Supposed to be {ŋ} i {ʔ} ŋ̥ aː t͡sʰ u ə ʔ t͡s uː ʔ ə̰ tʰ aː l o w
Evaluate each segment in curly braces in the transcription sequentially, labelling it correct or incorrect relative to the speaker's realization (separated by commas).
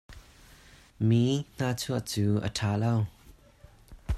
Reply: incorrect, incorrect